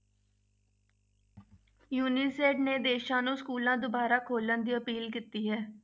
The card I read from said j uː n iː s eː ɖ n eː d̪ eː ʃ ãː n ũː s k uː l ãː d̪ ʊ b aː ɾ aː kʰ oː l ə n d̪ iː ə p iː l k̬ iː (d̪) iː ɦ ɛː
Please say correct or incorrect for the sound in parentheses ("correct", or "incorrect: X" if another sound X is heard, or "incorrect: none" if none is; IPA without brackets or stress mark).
incorrect: t̪